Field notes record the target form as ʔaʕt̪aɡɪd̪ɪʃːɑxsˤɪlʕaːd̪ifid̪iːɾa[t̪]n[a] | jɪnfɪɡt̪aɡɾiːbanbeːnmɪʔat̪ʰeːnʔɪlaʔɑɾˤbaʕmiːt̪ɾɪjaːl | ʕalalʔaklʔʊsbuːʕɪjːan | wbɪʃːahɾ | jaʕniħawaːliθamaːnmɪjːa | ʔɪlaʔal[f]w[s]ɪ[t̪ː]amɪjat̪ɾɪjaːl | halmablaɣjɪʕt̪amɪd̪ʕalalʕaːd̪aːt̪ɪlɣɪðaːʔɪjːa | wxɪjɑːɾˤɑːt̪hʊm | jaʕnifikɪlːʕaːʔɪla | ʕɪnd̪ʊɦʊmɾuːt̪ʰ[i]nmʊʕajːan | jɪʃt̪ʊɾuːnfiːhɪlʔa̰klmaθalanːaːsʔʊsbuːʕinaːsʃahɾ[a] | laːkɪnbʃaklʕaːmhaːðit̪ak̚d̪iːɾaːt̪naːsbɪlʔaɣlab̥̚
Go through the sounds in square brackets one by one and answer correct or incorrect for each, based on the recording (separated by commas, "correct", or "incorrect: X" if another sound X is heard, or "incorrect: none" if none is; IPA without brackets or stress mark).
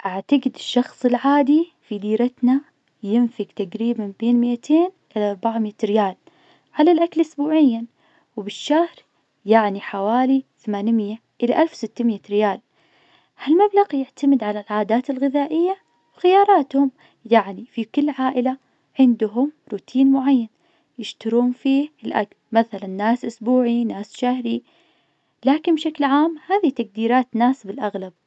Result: correct, correct, correct, correct, correct, incorrect: iː, incorrect: i